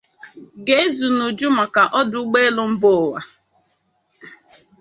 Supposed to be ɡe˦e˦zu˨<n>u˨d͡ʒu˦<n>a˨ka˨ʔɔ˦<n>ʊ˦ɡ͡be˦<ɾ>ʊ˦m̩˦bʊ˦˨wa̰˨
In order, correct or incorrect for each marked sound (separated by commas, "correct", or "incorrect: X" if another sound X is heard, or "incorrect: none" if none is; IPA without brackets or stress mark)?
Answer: correct, incorrect: m, incorrect: d, incorrect: l